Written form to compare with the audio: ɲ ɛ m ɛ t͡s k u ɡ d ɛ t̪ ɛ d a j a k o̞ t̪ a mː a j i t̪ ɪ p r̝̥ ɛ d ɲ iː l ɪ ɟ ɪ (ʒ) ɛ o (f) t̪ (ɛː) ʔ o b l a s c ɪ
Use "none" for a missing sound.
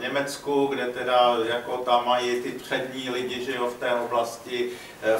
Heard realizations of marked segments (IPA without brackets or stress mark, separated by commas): ʒ, f, ɛː